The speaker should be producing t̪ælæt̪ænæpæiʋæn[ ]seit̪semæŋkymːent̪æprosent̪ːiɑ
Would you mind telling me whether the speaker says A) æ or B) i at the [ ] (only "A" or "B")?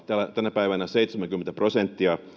A